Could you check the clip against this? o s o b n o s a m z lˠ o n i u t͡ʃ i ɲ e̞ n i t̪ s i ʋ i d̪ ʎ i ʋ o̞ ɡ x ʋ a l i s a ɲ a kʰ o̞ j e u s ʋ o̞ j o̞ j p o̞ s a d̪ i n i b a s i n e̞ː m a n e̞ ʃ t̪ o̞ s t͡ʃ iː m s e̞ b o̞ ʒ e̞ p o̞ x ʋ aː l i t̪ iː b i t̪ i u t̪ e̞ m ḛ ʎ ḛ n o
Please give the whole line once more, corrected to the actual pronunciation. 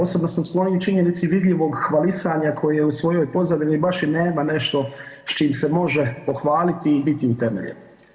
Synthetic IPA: o s o b n o s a m s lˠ o n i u t͡ʃ i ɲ e̞ n i t̪ s i ʋ i d̪ ʎ i ʋ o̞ ɡ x ʋ a l i s a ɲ a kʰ o̞ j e u s ʋ o̞ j o̞ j p o̞ z a d̪ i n i b a ʃ i n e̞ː m a n e̞ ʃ t̪ o̞ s t͡ʃ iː m s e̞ m o̞ ʒ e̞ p o̞ x ʋ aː l i t̪ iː b i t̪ i u t̪ e̞ m ḛ ʎ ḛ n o

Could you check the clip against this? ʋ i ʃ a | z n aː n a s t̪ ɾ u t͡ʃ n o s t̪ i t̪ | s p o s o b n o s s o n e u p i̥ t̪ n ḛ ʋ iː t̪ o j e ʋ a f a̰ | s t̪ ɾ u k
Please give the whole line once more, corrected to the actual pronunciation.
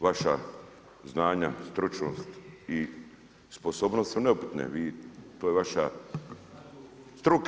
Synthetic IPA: ʋ a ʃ a | z n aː ɲ a s t̪ ɾ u t͡ʃ n o s t̪ i | s p o s o b n o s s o n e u p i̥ t̪ n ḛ ʋ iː t̪ o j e ʋ a ʃ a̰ | s t̪ ɾ u k

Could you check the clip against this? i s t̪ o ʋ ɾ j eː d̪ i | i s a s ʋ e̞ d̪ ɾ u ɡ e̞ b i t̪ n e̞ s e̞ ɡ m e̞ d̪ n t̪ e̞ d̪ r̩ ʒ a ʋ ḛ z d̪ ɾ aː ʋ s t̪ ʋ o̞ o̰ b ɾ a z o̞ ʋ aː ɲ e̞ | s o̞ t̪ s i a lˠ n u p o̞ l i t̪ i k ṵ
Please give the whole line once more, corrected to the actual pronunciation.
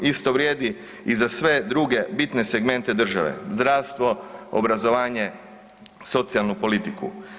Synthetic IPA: i s t̪ o ʋ ɾ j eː d̪ i | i z a s ʋ e̞ d̪ ɾ u ɡ e̞ b i t̪ n e̞ s e̞ ɡ m e̞ n t̪ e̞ d̪ r̩ ʒ a ʋ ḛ z d̪ ɾ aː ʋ s t̪ ʋ o̞ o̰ b ɾ a z o̞ ʋ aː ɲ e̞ | s o̞ t̪ s i a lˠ n u p o̞ l i t̪ i k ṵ

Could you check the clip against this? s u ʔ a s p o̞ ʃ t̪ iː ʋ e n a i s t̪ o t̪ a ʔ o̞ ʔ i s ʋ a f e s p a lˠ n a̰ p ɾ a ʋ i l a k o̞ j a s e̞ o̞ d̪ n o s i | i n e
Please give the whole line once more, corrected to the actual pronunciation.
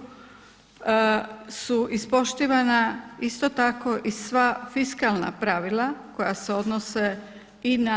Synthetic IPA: s u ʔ i s p o̞ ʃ t̪ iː ʋ a n a i s t̪ o t̪ a k o̞ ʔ i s ʋ a f i s k a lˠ n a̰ p ɾ a ʋ i l a k o̞ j a s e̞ o̞ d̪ n o s e | i n a

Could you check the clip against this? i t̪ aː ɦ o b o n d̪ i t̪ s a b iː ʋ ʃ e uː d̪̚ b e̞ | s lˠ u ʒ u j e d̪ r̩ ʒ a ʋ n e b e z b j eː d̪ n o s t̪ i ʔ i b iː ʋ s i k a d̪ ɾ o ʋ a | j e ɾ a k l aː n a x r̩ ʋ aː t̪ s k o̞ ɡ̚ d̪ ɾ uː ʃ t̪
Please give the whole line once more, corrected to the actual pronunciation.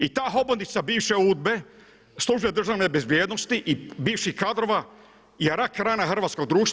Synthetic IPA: i t̪ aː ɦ o b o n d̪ i t̪ s a b iː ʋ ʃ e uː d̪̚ b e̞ | s lˠ u ʒ u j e d̪ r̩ ʒ a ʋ n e b e z b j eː d̪ n o s t̪ i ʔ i b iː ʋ ʃ i k a d̪ ɾ o ʋ a | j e ɾ a k ɾ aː n a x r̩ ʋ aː t̪ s k o̞ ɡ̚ d̪ ɾ uː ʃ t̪

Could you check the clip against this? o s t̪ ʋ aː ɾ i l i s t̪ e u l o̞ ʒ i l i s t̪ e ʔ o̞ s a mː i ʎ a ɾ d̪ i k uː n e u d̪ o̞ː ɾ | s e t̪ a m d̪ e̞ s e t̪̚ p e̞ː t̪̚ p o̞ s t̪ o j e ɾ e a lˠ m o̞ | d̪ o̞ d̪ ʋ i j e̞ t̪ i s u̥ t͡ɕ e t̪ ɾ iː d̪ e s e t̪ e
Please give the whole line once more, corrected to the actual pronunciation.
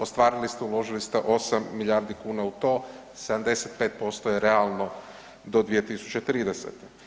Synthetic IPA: o s t̪ ʋ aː ɾ i l i s t̪ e u l o̞ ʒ i l i s t̪ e ʔ o̞ s a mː i ʎ a ɾ d̪ i k uː n a u t̪ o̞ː | s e d̪ a m d̪ e̞ s e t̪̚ p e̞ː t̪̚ p o̞ s t̪ o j e ɾ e a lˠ n o̞ | d̪ o̞ d̪ ʋ i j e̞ t̪ i s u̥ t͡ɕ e t̪ ɾ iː d̪ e s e t̪ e

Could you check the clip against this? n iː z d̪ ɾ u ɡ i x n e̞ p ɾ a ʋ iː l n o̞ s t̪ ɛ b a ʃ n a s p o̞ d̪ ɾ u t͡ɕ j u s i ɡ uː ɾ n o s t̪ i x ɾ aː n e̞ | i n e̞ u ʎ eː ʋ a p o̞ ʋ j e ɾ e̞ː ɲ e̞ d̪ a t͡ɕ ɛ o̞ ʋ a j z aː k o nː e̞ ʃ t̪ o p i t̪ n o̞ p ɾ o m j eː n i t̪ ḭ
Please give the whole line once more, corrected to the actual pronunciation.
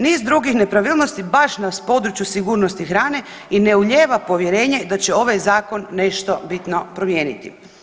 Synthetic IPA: n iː z d̪ ɾ u ɡ i x n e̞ p ɾ a ʋ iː l n o̞ s t̪ i b a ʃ n a s p o̞ d̪ ɾ u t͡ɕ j u s i ɡ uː ɾ n o s t̪ i x ɾ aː n e̞ | i n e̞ u ʎ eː ʋ a p o̞ ʋ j e ɾ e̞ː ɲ e̞ d̪ a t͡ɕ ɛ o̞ ʋ a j z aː k o nː e̞ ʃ t̪ o b i t̪ n o̞ p ɾ o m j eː n i t̪ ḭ

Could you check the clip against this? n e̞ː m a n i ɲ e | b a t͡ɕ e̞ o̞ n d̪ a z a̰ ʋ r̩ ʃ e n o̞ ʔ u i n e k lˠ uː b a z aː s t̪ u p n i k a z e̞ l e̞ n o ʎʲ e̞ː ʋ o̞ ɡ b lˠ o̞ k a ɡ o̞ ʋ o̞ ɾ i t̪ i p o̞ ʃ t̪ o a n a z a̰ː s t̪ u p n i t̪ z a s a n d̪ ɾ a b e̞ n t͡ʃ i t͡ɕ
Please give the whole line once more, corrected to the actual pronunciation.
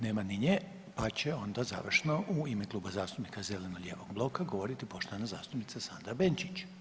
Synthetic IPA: n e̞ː m a n i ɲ e | p a t͡ɕ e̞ o̞ n d̪ a z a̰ ʋ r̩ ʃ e n o̞ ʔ u i m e k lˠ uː b a z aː s t̪ u p n i k a z e̞ l e̞ n o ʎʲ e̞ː ʋ o̞ ɡ b lˠ o̞ k a ɡ o̞ ʋ o̞ ɾ i t̪ i p o̞ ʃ t̪ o a n a z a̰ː s t̪ u p n i t̪ s a s a n d̪ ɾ a b e̞ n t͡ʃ i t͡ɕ

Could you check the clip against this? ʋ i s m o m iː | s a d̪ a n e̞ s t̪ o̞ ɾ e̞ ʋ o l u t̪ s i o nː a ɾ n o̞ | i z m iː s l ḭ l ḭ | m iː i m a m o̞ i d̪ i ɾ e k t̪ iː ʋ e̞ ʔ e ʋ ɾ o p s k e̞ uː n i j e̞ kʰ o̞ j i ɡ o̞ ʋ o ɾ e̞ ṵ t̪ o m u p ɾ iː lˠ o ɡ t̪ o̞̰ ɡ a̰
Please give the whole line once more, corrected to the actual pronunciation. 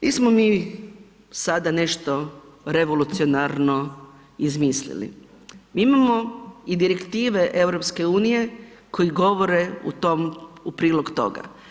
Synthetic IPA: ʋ i s m o m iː | s a d̪ a n e̞ ʃ t̪ o̞ ɾ e̞ ʋ o l u t̪ s i o n a ɾ n o̞ | i z m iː s l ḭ l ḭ | m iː i m a m o̞ i d̪ i ɾ e k t̪ iː ʋ e̞ ʔ e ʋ ɾ o p s k e̞ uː n i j e̞ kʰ o̞ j i ɡ o̞ ʋ o ɾ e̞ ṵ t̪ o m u p ɾ iː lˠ o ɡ t̪ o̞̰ ɡ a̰

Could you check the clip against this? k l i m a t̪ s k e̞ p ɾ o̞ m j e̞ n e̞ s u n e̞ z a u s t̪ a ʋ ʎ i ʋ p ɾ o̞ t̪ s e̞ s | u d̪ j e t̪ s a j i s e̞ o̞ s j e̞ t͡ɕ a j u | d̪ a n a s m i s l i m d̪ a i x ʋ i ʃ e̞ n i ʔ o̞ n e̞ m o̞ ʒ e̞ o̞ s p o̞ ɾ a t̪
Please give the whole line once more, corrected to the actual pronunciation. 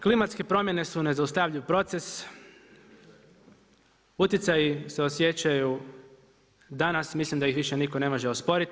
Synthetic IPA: k l i m a t̪ s k e̞ p ɾ o̞ m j e̞ n e̞ s u n e̞ z a u s t̪ a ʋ ʎ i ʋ p ɾ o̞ t̪ s e̞ s | u t̪ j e t̪ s a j i s e̞ o̞ s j e̞ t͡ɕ a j u | d̪ a n a s m i s l i m d̪ a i x ʋ i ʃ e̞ n i k o̞ n e̞ m o̞ ʒ e̞ o̞ s p o̞ ɾ i t̪

